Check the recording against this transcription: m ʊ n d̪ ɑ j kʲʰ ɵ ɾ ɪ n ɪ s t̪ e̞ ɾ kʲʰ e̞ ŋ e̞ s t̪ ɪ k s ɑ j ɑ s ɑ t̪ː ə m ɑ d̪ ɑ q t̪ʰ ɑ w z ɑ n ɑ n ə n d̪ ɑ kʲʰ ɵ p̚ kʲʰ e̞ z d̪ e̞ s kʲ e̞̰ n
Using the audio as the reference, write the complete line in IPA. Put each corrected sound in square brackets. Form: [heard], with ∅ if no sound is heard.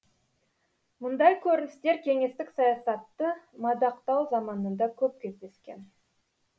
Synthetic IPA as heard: m ʊ n d̪ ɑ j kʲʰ ɵ ɾ ɪ n ɪ s t̪ e̞ ɾ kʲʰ e̞ ŋ e̞ s t̪ ɪ k s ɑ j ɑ s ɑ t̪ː ə m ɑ d̪ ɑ q [t̪] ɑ w z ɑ [m] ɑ n ə n d̪ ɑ kʲʰ ɵ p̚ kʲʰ e̞ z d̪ e̞ s kʲ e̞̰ n